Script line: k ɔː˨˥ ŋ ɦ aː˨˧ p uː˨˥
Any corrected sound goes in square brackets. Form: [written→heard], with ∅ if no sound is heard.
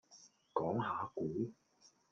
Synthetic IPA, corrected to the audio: k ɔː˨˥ ŋ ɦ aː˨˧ [p→k] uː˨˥